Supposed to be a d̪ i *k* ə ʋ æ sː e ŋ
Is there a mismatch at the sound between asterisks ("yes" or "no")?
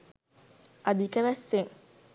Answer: no